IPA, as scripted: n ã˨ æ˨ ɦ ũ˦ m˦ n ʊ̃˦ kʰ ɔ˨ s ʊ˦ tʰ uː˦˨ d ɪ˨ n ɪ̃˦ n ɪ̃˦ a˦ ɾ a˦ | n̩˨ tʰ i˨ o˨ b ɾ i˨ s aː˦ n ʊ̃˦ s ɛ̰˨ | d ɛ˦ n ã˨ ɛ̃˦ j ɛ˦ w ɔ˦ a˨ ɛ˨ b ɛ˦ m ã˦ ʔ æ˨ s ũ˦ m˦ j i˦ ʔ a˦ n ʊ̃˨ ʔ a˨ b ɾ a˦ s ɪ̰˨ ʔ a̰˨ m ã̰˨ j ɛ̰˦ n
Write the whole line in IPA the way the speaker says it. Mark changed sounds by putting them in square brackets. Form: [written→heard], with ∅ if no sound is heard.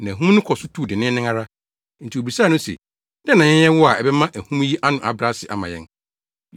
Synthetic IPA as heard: n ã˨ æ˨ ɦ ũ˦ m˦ n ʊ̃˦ kʰ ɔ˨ s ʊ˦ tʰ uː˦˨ d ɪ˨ n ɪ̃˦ n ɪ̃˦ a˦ ɾ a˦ | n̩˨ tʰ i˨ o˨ b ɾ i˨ s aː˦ n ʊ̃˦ s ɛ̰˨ | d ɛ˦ n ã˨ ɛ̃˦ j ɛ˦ w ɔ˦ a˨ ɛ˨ b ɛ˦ m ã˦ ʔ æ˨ [s→h] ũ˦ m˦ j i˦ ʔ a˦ n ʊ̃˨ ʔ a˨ b ɾ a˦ s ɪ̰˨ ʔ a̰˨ m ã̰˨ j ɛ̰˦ n